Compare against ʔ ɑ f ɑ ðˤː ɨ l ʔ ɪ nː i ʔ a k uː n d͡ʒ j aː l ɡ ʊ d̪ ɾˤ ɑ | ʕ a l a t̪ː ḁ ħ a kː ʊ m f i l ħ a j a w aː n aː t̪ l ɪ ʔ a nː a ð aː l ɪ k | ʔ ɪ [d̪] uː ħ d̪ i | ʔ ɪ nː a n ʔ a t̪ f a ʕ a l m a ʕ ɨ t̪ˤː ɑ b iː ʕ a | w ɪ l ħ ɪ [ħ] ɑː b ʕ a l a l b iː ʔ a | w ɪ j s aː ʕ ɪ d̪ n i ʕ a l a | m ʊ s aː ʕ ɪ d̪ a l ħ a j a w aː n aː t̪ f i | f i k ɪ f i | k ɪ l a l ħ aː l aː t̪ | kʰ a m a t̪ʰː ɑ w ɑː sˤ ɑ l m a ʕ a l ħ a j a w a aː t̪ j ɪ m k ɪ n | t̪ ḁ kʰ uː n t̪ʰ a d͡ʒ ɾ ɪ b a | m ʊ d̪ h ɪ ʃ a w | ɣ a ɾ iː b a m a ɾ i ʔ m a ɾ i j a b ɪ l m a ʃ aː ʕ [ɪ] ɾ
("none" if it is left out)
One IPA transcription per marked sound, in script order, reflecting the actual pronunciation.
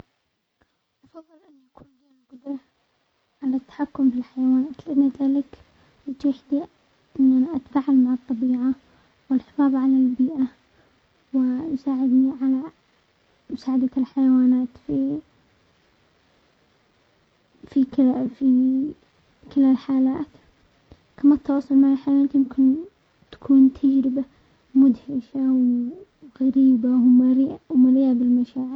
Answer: t̪, f, ɪ

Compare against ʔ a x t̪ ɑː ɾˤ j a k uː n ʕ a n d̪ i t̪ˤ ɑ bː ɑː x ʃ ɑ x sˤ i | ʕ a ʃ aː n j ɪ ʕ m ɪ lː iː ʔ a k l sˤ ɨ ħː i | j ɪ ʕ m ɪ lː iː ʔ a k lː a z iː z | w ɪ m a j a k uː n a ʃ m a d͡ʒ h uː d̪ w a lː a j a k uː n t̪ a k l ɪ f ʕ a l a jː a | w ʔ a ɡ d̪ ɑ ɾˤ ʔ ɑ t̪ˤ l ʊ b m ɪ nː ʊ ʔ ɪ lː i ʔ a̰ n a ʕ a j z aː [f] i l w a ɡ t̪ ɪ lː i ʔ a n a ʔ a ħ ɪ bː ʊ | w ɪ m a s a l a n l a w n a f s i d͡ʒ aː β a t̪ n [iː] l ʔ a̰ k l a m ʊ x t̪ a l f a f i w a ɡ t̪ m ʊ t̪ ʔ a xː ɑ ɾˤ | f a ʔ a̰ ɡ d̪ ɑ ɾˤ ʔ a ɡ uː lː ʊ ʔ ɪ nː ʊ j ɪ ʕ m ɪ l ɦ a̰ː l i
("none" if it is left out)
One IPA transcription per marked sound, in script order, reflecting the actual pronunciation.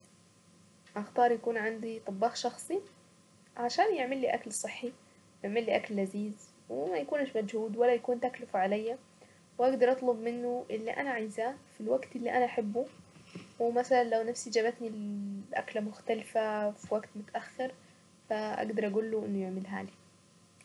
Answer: f, i

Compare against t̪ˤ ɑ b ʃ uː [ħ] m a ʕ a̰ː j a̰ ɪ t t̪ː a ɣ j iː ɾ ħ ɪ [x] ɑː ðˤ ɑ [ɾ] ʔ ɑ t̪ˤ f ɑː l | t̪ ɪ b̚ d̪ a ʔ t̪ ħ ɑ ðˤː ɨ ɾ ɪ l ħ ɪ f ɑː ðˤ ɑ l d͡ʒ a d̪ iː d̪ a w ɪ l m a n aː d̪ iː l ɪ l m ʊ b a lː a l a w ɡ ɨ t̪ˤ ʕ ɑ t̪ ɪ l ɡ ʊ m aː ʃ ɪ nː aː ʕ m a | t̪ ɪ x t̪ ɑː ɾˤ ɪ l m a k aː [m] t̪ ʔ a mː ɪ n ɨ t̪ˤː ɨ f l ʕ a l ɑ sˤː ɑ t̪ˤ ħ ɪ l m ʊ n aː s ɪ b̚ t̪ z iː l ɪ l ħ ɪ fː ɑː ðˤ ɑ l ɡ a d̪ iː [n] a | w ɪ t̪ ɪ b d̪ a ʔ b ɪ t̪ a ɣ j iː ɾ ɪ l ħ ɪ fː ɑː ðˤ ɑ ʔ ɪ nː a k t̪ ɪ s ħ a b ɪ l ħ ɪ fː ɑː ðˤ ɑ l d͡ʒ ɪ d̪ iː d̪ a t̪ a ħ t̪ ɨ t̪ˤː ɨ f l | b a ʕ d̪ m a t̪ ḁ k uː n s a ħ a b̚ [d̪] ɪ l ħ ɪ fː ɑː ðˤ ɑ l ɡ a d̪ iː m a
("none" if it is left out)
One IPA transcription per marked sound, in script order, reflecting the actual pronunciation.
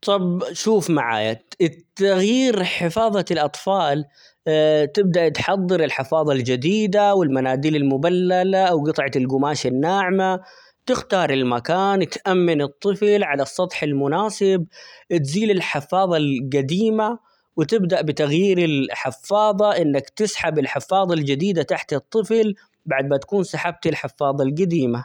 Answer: f, f, l, n, m, t̪

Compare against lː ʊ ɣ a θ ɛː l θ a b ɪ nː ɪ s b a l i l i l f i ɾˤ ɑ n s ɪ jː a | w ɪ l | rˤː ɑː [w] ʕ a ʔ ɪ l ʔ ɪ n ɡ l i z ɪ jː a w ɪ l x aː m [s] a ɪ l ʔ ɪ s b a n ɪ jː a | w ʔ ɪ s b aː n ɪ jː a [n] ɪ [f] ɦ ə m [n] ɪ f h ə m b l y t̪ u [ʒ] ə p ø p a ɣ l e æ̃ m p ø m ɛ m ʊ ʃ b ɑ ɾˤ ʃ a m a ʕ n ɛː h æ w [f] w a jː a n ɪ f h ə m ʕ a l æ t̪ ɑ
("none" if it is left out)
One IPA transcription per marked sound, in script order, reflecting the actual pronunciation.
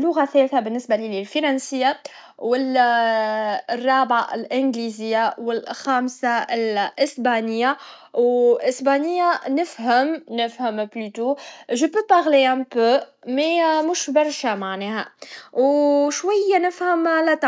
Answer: b, s, n, f, n, ʒ, ʃ

